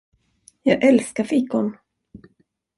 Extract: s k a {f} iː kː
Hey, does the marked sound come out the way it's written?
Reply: yes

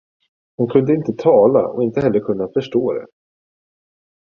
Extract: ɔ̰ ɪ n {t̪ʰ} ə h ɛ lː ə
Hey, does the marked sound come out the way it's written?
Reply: no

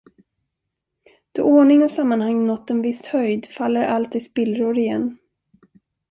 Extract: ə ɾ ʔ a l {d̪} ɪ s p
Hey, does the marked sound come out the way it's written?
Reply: no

